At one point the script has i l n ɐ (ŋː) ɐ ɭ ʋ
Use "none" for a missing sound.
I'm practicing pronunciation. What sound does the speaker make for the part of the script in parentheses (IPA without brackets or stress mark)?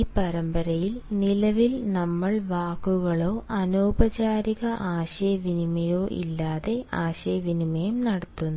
mː